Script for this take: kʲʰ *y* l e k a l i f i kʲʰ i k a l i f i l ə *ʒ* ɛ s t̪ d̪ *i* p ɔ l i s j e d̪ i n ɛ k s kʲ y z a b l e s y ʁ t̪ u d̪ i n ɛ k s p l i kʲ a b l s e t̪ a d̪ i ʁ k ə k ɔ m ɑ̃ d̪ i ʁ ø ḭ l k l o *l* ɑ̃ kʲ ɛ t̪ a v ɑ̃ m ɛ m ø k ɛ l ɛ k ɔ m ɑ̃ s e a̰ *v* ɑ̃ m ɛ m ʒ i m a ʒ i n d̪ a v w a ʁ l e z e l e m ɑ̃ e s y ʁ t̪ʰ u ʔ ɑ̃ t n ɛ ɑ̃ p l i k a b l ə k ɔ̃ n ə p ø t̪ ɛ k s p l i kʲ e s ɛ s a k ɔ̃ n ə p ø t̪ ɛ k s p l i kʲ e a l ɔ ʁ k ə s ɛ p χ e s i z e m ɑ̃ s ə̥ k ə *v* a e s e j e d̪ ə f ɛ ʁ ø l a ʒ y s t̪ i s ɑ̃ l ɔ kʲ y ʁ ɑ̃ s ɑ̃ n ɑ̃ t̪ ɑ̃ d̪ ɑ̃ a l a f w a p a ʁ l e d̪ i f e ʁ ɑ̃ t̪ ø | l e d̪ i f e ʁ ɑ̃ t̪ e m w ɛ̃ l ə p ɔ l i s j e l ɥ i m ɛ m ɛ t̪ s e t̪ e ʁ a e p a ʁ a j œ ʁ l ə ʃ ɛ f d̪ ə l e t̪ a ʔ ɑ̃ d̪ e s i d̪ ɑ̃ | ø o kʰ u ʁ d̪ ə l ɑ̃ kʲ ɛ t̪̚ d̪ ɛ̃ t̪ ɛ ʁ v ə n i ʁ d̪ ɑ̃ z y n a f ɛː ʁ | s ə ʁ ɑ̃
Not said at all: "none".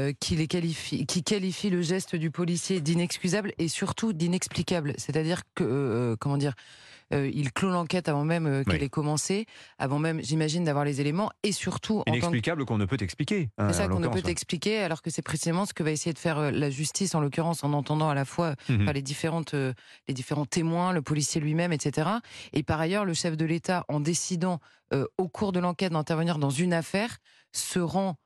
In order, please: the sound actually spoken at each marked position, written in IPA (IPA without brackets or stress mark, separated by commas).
i, ʒ, y, l, v, v